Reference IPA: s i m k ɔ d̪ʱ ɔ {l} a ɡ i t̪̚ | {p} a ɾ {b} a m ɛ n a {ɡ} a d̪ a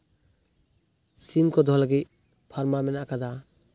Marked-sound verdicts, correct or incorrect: correct, incorrect, incorrect, incorrect

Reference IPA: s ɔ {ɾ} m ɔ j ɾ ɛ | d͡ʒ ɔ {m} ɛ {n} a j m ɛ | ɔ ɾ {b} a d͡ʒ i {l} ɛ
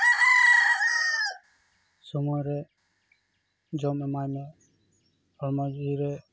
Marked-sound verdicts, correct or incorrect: incorrect, correct, incorrect, incorrect, incorrect

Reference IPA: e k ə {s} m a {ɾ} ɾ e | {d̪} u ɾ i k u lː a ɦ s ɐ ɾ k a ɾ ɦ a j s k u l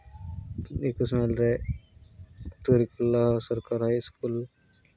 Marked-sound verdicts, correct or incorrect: correct, incorrect, incorrect

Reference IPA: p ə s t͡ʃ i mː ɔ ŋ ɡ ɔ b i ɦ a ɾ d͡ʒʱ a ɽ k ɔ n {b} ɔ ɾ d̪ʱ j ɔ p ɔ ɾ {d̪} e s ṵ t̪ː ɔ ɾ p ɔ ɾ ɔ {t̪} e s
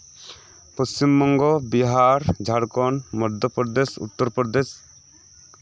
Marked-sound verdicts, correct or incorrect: incorrect, correct, incorrect

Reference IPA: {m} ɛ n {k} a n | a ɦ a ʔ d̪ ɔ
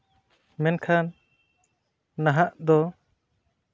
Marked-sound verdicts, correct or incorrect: correct, incorrect

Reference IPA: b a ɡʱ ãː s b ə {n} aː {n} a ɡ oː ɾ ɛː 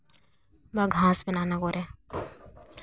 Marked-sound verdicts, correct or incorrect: correct, correct

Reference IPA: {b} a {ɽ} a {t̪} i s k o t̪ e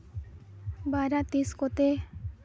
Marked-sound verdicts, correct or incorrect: correct, incorrect, correct

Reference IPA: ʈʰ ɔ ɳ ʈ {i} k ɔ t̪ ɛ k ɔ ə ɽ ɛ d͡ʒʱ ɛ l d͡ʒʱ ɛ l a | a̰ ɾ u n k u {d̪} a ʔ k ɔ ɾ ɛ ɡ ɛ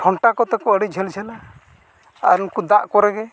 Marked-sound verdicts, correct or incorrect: incorrect, correct

